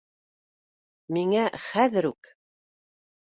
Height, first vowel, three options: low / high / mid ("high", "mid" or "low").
high